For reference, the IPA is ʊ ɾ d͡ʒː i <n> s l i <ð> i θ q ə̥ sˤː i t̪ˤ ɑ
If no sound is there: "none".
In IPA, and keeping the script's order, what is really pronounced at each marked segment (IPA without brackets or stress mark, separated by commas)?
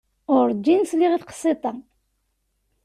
n, ʁ